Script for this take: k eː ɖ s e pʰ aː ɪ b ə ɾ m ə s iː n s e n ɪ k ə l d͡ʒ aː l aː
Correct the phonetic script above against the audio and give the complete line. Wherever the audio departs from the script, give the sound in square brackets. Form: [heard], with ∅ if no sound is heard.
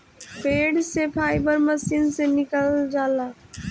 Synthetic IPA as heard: [p] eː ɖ s e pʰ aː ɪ b ə ɾ m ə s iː n s e n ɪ k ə l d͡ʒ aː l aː